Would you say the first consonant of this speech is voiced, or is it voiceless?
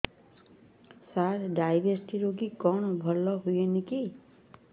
voiceless